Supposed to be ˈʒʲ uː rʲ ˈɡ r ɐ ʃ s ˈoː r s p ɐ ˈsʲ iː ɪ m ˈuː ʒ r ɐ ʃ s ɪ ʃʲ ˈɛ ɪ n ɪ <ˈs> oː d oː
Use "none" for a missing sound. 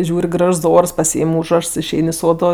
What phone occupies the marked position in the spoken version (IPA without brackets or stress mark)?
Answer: s